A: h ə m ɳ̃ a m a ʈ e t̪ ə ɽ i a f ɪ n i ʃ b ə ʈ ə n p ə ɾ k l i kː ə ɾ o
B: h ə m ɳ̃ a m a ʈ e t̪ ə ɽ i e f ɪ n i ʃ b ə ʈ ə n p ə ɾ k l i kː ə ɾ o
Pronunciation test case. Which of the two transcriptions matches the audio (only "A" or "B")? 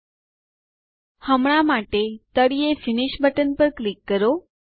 B